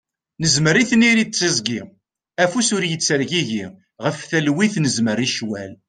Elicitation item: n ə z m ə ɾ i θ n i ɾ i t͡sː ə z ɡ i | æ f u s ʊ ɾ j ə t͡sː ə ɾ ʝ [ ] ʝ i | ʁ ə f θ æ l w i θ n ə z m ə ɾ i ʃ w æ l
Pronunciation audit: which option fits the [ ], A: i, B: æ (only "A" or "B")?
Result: A